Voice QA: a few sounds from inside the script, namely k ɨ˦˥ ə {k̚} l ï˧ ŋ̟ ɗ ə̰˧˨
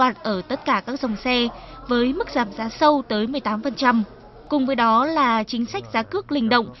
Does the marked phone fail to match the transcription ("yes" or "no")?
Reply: no